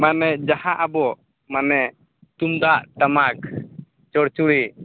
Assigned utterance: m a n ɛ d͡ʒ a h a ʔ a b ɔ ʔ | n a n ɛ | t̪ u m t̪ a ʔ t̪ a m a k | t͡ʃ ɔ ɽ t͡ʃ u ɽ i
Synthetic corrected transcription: m a n ɛ d͡ʒ a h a ʔ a b ɔ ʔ | m a n ɛ | t̪ u m d̪ a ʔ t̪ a m a k | t͡ʃ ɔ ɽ t͡ʃ u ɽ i